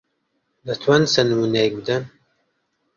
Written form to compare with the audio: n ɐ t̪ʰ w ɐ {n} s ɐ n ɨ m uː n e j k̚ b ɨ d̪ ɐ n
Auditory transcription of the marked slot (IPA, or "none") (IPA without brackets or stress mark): n